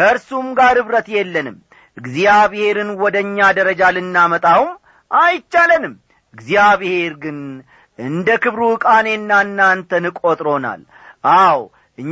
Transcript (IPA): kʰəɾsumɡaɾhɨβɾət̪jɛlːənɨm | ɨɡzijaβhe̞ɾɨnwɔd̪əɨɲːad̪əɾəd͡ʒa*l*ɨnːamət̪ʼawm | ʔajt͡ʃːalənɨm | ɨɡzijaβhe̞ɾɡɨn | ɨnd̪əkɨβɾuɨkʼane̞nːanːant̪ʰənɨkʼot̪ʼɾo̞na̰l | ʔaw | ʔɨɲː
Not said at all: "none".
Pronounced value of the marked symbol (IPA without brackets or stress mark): l